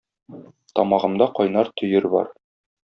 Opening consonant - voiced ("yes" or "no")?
no